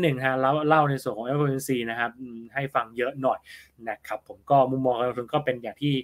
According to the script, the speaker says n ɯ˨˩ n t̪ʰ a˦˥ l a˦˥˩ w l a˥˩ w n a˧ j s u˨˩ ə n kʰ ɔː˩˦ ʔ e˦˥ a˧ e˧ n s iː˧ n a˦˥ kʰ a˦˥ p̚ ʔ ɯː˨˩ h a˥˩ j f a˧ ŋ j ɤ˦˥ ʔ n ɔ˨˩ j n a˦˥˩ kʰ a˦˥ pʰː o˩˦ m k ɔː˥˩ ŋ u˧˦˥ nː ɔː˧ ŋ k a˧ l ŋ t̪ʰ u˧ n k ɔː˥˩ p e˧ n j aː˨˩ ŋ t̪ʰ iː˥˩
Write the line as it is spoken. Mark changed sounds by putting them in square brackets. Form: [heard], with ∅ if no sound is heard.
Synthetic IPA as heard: n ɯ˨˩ [ŋ] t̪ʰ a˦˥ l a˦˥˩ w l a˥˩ w n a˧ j s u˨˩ ə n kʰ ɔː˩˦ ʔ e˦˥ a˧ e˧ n s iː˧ n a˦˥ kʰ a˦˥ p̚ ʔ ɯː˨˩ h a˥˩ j f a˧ ŋ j ɤ˦˥ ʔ n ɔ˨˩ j n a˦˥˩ kʰ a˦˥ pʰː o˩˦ m k ɔː˥˩ [m] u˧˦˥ [mː] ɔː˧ ŋ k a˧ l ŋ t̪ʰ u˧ n k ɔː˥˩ p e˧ n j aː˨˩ ŋ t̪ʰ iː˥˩